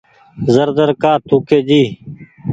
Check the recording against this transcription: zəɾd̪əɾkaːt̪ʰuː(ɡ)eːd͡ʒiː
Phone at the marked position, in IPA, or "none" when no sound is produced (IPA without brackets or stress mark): k